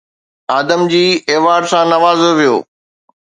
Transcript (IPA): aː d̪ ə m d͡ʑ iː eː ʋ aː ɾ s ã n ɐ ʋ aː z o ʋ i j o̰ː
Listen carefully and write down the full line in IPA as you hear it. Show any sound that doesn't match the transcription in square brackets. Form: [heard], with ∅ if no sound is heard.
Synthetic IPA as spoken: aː d̪ ə m d͡ʑ iː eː ʋ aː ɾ s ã n ɐ ʋ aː z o ʋ i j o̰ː